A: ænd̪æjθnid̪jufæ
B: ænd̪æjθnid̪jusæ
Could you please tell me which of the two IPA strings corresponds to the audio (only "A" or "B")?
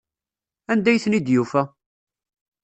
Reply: A